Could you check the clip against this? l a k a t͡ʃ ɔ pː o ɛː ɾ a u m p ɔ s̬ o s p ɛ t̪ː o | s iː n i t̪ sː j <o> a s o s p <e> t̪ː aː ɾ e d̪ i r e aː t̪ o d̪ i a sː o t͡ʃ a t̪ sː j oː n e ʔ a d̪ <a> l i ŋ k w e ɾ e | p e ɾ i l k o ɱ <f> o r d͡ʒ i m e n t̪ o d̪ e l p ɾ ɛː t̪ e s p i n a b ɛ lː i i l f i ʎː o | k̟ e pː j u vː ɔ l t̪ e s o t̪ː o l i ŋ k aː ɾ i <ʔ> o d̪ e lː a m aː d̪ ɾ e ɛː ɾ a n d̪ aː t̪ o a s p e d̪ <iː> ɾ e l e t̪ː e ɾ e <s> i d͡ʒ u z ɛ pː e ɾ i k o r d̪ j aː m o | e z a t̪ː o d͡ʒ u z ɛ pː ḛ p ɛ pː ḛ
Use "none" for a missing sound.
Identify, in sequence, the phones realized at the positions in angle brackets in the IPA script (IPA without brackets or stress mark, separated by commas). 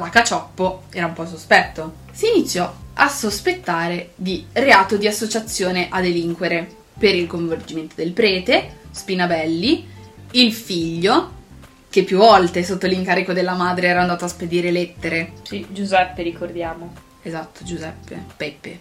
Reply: ɔ, e, e, v, k, iː, s